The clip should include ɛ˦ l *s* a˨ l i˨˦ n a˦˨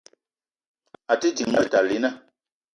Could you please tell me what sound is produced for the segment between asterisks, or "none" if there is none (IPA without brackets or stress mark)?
t